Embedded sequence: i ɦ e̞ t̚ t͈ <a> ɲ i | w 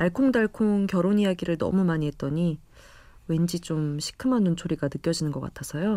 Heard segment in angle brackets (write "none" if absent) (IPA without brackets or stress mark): ʌ